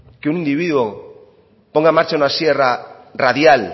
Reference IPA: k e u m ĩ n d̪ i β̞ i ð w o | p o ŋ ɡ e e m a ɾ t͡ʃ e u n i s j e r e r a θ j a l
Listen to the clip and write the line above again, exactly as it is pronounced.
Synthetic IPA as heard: k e u n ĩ n d̪ i β̞ i ð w o | p o ŋ ɡ a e m a ɾ t͡ʃ a u n a s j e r a r a ð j a l